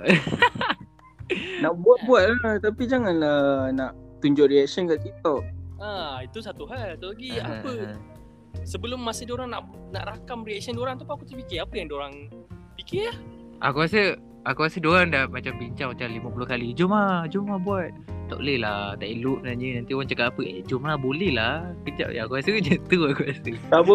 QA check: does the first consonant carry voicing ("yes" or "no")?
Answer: yes